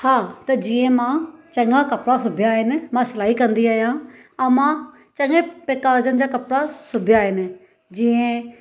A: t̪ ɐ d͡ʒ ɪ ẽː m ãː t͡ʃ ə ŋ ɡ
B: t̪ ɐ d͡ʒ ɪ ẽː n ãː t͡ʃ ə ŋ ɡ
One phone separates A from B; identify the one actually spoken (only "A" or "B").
A